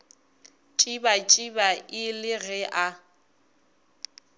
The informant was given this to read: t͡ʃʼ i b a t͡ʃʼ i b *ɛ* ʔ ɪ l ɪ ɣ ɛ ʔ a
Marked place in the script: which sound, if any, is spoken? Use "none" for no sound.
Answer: a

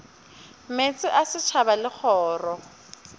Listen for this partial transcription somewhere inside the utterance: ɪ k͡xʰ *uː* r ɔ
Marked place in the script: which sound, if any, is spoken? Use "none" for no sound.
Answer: ɔː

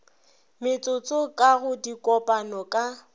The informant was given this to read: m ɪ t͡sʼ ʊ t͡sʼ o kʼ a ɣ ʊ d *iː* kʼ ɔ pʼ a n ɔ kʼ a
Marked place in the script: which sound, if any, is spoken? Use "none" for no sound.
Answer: i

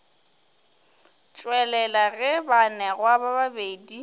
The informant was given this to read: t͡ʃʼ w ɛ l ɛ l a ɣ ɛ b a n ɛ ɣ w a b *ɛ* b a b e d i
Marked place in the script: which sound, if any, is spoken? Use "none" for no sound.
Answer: a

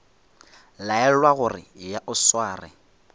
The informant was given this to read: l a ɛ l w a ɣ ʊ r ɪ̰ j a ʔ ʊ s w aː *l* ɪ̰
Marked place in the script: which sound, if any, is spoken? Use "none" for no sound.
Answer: r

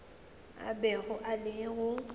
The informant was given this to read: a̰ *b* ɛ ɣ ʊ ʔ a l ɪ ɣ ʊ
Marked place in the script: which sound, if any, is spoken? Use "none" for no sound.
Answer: b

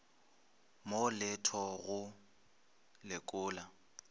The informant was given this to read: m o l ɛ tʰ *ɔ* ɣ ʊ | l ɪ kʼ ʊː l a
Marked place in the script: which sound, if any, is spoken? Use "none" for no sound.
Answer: ɔ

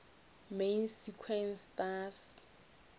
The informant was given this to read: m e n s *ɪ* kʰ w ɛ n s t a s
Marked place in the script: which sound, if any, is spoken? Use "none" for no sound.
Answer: i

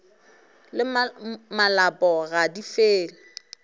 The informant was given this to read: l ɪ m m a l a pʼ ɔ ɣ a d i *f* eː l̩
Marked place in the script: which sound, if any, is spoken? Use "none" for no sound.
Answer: f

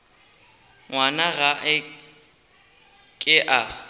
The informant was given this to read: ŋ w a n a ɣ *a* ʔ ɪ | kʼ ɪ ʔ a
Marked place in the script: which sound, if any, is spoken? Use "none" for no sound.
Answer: a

